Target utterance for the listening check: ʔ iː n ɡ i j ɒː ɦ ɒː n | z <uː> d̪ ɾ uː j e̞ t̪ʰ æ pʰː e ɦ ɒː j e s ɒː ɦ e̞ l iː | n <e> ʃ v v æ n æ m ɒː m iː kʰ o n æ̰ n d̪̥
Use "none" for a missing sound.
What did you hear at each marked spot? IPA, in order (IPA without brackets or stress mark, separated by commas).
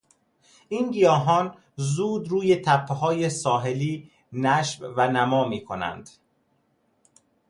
uː, æ